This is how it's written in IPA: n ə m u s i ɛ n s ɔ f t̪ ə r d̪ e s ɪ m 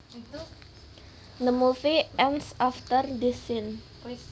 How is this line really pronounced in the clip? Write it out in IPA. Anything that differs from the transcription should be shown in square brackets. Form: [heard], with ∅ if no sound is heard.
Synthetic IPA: n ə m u [f] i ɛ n s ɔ f t̪ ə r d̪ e s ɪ [n]